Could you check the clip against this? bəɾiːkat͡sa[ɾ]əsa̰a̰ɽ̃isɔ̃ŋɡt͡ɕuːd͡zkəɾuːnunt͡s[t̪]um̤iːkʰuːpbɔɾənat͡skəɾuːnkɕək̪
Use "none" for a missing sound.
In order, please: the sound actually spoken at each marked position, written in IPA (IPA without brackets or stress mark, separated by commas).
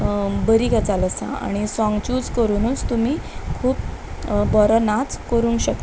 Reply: l, t̪